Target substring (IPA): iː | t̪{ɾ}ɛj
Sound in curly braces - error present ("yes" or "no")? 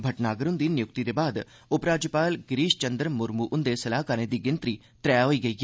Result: no